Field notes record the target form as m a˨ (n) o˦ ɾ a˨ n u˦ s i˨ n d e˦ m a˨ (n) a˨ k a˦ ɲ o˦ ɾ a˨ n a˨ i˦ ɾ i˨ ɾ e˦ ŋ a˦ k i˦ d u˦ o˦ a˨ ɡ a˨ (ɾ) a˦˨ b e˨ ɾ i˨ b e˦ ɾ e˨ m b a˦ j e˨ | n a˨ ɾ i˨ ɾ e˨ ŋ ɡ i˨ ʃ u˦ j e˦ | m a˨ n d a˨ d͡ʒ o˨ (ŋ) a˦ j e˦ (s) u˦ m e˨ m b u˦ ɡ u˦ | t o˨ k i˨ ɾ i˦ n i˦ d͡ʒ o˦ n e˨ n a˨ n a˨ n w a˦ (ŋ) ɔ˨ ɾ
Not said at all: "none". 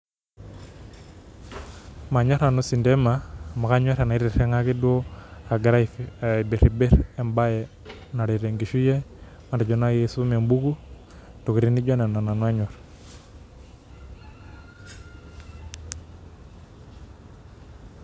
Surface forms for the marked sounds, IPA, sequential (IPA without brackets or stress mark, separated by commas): ɲ, m, ɾ, n, s, ɲ